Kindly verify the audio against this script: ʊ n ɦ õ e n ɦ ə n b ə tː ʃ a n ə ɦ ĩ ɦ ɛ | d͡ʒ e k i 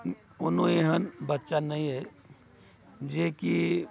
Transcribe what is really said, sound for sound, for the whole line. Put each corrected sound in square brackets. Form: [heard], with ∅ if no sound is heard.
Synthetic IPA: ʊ n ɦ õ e [∅] ɦ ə n b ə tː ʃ a n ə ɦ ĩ ɦ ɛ | d͡ʒ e k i